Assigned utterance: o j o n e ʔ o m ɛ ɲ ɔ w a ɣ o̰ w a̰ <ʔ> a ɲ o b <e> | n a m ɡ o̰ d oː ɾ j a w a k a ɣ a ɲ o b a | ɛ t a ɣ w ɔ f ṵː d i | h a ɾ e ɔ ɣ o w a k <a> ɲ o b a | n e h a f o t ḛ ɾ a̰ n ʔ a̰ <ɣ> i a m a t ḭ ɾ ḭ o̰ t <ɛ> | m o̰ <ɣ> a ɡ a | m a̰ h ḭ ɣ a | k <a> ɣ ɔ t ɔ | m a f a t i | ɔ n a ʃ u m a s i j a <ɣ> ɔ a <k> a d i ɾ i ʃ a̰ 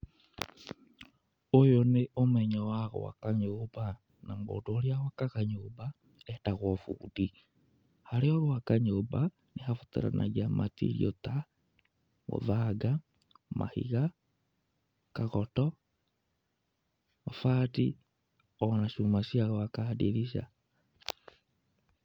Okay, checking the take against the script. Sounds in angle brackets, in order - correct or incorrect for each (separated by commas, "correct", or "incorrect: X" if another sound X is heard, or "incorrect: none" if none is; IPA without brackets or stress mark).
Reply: incorrect: k, incorrect: a, correct, correct, incorrect: a, incorrect: ð, correct, correct, correct